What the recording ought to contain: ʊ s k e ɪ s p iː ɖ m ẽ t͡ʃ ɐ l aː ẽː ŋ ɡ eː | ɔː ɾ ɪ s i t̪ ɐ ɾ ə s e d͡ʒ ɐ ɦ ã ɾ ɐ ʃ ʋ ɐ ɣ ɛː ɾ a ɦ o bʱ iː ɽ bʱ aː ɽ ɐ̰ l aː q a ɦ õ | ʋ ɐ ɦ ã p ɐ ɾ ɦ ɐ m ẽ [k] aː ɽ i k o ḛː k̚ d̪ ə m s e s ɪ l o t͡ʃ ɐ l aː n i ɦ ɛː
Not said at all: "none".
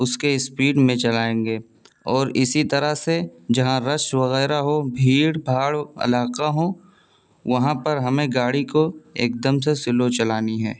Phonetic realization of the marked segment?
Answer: ɡ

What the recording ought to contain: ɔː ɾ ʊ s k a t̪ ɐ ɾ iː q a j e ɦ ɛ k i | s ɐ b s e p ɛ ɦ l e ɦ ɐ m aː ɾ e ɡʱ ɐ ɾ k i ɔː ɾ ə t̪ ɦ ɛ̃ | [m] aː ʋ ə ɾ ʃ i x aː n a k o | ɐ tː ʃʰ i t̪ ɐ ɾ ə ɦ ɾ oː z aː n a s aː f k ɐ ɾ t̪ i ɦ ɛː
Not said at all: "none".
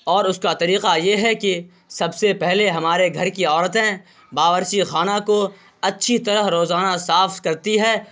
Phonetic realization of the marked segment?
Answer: b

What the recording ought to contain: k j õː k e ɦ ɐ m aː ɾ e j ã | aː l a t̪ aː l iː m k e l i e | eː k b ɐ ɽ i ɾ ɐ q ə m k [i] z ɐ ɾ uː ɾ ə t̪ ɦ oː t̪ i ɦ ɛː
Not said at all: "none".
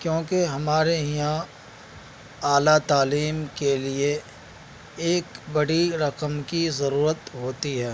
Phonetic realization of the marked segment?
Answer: i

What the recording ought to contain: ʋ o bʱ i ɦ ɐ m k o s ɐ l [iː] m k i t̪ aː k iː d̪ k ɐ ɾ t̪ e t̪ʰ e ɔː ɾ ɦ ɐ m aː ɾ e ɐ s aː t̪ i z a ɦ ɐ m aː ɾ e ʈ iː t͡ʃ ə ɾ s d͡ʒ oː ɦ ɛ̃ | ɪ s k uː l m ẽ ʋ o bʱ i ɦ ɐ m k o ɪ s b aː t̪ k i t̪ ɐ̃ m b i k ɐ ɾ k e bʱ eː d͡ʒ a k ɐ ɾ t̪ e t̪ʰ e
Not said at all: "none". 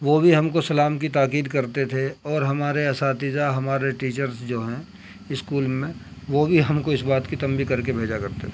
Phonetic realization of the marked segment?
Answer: aː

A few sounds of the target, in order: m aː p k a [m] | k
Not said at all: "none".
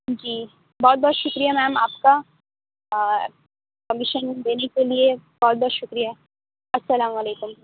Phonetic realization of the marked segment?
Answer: none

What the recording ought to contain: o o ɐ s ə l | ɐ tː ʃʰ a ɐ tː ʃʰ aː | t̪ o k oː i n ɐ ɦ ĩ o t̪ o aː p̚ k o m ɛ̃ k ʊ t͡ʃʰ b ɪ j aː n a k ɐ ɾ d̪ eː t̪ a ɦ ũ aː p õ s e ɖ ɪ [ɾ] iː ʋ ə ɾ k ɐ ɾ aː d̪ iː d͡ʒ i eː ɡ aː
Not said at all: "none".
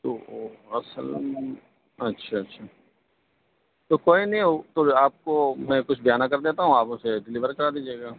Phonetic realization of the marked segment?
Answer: l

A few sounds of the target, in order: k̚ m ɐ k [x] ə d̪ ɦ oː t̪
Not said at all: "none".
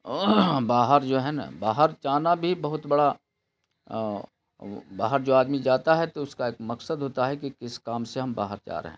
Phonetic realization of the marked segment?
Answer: s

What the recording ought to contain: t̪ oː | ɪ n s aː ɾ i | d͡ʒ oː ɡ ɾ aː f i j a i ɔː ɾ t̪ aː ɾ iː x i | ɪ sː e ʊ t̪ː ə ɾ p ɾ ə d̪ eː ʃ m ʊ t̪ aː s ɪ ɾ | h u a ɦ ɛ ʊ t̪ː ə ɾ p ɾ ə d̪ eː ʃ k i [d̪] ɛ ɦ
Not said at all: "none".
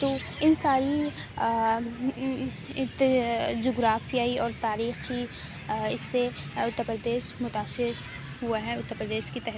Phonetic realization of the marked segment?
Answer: t̪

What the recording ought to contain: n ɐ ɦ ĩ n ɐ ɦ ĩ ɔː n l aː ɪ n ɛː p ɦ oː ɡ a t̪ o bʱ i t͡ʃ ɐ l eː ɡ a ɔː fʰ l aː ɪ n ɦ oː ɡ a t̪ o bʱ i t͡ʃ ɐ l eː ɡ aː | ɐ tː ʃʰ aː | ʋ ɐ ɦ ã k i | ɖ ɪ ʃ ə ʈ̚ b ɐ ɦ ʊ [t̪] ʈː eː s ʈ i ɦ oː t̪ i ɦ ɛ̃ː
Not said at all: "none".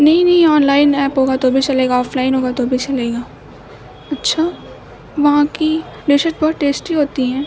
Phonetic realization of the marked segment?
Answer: t̪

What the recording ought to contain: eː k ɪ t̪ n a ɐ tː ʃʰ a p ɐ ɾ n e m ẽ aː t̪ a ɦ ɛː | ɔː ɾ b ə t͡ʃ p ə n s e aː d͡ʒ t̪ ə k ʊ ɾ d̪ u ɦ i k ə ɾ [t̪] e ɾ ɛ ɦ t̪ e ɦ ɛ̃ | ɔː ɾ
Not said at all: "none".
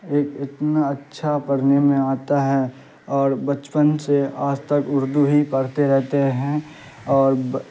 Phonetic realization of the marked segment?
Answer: t̪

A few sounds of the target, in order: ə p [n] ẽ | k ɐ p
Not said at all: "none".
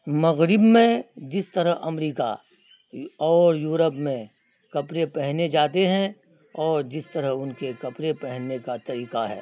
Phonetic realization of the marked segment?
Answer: m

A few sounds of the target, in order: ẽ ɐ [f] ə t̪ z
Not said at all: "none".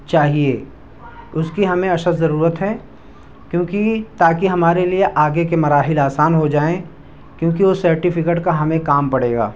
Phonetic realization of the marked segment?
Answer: ʃ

